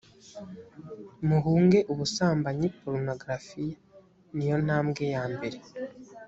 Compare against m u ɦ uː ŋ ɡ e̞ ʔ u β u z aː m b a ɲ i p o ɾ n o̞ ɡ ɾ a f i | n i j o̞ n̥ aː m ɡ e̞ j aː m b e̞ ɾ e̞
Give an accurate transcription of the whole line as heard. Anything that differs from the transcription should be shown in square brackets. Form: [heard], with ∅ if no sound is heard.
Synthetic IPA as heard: m u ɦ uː ŋ ɡ e̞ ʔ u β u [s] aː m b a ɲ i p o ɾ n o̞ ɡ ɾ a f i | n i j o̞ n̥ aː m ɡ e̞ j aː m b e̞ ɾ e̞